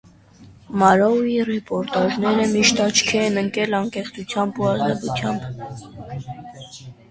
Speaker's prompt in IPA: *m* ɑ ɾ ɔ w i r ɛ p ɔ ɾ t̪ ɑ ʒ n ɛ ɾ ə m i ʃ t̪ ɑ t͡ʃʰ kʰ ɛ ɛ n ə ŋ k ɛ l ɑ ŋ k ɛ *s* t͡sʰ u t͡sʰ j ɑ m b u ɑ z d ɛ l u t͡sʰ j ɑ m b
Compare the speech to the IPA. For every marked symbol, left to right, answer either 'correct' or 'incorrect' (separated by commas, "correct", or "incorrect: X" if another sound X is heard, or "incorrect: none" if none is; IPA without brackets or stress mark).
correct, incorrect: χ